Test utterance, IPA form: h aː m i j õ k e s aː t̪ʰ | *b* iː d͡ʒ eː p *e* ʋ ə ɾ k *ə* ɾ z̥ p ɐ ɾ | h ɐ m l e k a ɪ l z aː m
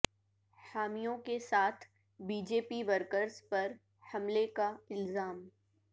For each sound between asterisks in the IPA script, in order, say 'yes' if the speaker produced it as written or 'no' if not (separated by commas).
yes, no, yes